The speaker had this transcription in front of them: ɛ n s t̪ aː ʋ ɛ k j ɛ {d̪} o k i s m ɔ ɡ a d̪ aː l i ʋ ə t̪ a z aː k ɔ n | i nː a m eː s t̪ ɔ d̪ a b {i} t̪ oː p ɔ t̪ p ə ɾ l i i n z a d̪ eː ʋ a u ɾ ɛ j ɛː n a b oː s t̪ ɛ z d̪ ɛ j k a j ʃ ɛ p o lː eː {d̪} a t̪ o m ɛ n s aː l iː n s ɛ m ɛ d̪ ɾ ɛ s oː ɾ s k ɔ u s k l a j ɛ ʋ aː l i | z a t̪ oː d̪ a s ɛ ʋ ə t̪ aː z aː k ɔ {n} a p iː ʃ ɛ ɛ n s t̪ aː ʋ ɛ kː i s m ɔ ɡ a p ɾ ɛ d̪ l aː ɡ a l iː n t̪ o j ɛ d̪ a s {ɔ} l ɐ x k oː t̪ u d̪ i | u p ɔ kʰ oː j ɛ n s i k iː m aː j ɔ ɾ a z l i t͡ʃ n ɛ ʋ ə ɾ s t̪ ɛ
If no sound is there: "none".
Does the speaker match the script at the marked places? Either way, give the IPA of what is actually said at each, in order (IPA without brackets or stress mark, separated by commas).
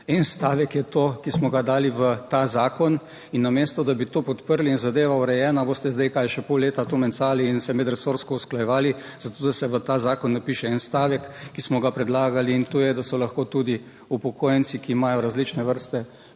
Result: t̪, i, t̪, nː, ɔ